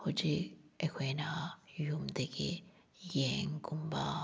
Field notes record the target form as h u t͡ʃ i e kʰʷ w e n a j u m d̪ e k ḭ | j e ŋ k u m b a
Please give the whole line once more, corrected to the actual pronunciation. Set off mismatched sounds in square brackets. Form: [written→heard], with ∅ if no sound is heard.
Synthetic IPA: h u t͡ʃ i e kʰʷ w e n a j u m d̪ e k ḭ | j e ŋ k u m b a